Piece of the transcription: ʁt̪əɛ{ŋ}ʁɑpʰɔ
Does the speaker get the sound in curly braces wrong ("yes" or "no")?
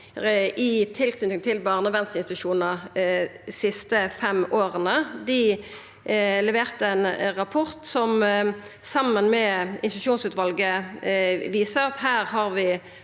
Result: yes